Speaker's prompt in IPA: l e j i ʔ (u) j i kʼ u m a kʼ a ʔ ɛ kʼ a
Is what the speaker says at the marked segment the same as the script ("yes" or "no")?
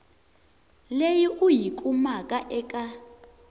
yes